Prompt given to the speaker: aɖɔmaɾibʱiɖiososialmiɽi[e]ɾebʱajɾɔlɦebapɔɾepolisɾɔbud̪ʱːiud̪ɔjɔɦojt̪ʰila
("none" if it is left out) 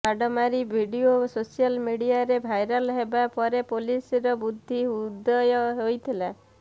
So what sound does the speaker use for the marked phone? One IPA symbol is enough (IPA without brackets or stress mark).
a